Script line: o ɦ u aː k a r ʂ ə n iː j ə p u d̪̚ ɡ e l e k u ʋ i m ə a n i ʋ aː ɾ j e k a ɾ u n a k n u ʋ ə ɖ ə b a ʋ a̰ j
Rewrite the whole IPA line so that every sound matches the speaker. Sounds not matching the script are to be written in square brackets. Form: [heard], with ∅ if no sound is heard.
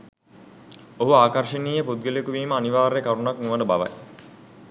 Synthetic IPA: o ɦ u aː k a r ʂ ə n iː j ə p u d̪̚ ɡ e l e k u ʋ [iː] m ə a n i ʋ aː ɾ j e k a ɾ u n a k n u ʋ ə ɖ ə b a ʋ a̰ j